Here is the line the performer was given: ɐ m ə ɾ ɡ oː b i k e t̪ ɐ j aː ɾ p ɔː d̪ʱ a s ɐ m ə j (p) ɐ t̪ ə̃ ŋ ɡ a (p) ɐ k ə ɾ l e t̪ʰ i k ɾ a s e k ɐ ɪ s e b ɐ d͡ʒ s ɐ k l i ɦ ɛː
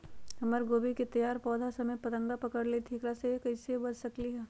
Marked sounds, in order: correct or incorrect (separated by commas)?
correct, correct